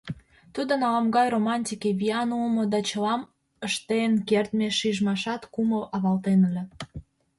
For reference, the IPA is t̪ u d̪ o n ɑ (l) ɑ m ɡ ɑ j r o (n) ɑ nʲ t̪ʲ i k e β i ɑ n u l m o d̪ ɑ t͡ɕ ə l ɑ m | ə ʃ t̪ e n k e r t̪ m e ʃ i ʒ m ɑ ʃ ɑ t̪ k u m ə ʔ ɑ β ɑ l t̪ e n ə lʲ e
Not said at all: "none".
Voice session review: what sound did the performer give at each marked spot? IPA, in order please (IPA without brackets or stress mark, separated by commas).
l, m